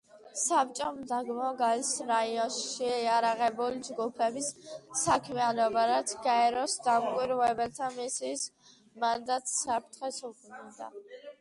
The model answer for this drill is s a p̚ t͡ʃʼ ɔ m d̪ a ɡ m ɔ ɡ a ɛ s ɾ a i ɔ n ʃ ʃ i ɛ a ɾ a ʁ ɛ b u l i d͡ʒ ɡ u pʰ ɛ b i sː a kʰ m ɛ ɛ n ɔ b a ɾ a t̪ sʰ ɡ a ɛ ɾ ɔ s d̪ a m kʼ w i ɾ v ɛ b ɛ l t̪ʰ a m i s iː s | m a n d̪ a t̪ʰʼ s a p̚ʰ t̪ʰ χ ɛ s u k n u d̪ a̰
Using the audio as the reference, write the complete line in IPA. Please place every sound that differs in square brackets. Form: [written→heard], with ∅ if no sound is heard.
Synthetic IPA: s a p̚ t͡ʃʼ ɔ m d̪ a ɡ m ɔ ɡ a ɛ s ɾ a i ɔ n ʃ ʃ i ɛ a ɾ a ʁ ɛ b u l i d͡ʒ ɡ u pʰ ɛ b i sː a kʰ m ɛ [ɛ→a] n ɔ b a ɾ a t̪ sʰ ɡ a ɛ ɾ ɔ s d̪ a m kʼ w i ɾ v ɛ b ɛ l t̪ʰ a m i s iː s | m a n d̪ a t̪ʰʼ s a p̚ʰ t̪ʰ χ ɛ s u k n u d̪ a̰